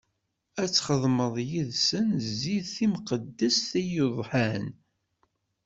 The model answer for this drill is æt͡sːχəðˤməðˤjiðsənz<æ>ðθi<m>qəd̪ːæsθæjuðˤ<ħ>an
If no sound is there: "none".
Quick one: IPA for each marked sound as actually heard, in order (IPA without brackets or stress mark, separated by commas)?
i, m, ħ